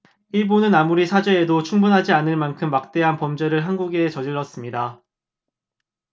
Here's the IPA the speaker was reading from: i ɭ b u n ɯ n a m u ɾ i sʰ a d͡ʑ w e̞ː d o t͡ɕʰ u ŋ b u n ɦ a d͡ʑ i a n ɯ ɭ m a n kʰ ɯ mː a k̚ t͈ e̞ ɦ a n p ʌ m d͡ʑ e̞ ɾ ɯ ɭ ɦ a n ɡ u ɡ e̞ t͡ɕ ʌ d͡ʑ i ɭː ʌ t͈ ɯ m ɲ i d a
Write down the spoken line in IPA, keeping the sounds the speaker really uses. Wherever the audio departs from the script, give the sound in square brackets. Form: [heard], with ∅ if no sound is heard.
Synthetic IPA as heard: i ɭ b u n ɯ n a m u ɾ i sʰ a d͡ʑ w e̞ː d o t͡ɕʰ u ŋ b u n ɦ a d͡ʑ i a n ɯ ɭ m a n kʰ ɯ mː a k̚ t͈ e̞ ɦ a n p ʌ m d͡ʑ e̞ ɾ ɯ ɭ ɦ a n ɡ u ɡ e̞ t͡ɕ ʌ d͡ʑ i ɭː ʌ [s͈] ɯ m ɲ i d a